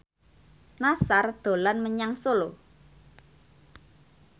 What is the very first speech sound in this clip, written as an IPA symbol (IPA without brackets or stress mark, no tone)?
n